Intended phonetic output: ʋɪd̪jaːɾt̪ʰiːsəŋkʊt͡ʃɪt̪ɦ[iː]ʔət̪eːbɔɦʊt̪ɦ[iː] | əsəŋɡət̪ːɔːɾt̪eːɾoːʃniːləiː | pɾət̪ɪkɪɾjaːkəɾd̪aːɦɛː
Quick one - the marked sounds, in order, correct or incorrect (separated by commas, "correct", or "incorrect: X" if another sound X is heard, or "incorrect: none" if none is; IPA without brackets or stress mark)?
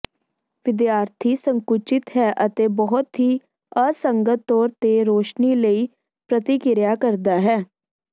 incorrect: ɛː, correct